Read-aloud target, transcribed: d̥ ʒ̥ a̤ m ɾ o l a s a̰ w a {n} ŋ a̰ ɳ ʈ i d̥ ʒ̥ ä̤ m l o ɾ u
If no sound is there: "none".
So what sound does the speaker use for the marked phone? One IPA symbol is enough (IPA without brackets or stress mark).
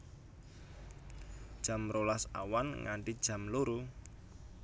n